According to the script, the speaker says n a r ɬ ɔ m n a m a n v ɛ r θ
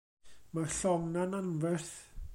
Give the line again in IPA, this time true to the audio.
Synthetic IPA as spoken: m a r ɬ ɔ ŋ n a n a n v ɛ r θ